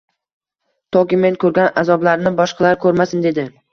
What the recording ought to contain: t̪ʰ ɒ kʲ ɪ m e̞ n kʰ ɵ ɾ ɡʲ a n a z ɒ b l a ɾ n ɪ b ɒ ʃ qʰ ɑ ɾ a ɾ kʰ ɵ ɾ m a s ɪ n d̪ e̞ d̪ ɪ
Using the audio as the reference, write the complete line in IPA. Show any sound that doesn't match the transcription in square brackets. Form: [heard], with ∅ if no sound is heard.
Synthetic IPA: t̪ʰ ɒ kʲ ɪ m e̞ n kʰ ɵ ɾ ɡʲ a n a z ɒ b l a ɾ n ɪ b ɒ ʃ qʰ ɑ [l] a ɾ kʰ ɵ ɾ m a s ɪ n d̪ e̞ d̪ ɪ